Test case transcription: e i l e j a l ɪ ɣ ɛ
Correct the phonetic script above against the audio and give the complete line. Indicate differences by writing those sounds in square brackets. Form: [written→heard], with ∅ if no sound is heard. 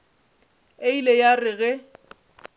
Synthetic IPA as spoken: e i l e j a [l→r] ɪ ɣ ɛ